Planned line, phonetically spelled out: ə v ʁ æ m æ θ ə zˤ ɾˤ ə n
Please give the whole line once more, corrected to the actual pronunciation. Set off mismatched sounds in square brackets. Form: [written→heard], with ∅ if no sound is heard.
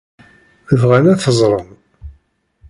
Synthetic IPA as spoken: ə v ʁ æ [m→n] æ θ ə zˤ ɾˤ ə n